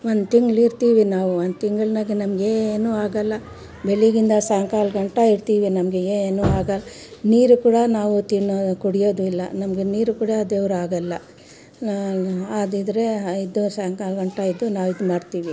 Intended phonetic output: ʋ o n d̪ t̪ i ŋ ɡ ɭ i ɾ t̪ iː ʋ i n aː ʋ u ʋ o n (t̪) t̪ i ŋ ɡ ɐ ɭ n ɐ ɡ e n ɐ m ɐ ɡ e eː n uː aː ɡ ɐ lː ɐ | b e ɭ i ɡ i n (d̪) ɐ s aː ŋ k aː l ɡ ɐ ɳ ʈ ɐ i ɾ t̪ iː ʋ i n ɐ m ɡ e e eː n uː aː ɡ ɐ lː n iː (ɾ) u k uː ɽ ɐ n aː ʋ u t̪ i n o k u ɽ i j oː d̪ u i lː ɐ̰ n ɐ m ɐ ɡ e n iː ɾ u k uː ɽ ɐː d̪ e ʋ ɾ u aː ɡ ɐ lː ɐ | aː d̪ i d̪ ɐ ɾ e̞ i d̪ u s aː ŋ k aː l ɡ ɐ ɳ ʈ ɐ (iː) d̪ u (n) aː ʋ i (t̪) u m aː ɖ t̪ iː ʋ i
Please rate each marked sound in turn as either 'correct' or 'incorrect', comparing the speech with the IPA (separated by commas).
incorrect, correct, correct, incorrect, correct, incorrect